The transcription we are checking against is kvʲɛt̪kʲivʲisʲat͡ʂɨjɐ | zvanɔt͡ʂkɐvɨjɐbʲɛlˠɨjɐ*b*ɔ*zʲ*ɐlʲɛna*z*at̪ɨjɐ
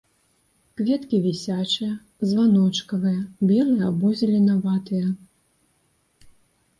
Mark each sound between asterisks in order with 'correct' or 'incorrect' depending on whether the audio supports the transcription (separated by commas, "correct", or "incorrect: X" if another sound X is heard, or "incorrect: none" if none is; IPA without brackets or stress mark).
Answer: correct, correct, incorrect: v